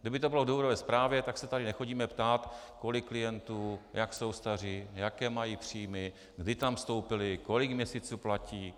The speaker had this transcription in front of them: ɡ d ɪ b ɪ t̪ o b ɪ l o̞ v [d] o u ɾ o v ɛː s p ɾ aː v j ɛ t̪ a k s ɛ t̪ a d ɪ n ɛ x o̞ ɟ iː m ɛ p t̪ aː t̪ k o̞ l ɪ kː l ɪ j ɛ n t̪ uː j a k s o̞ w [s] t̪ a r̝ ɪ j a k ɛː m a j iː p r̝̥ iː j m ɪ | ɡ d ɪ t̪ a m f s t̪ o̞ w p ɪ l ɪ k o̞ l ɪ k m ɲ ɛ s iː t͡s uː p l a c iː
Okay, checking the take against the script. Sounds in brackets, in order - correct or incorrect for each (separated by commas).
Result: correct, correct